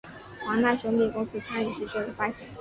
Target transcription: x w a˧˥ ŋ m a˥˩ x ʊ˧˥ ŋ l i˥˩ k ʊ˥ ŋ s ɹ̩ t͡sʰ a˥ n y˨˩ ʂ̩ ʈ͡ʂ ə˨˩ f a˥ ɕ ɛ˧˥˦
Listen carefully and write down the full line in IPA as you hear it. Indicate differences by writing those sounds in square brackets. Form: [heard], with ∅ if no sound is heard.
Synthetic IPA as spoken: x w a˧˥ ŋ [n] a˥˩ [ɕ] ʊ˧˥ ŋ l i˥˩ k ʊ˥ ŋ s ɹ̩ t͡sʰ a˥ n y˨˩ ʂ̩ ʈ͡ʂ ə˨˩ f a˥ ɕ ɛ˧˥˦